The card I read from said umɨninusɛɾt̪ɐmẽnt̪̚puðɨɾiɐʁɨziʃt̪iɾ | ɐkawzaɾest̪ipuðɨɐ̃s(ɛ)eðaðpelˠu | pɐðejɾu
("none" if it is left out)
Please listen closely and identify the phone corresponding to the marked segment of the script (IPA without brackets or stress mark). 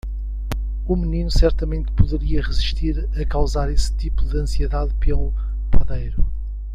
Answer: i